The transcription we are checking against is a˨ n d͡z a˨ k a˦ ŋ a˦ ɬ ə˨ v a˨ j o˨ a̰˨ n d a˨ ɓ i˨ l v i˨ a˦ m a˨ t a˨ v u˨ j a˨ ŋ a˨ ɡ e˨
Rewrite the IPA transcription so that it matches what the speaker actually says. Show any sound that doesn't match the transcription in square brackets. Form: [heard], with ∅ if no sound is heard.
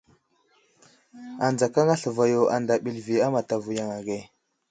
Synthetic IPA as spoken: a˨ n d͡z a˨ k a˦ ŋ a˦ ɬ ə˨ v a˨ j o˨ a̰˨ n d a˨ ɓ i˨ l v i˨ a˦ m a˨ t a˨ v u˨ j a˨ ŋ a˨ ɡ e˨